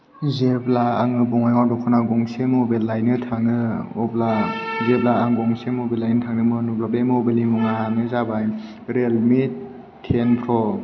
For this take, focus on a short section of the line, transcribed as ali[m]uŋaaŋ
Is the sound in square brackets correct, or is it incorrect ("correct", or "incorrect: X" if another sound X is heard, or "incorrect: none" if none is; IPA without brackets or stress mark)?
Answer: correct